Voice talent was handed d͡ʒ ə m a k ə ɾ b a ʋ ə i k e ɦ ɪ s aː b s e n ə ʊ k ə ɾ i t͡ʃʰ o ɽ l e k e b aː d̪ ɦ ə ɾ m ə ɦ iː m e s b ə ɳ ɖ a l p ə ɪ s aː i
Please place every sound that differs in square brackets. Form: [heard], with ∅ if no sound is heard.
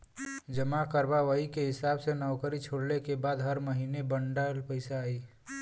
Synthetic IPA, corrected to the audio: d͡ʒ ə m a k ə ɾ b a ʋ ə i k e ɦ ɪ s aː b s e n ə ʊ k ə ɾ i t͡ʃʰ o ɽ l e k e b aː d̪ ɦ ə ɾ m ə ɦ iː [n] e [∅] b ə ɳ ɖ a l p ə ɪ s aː i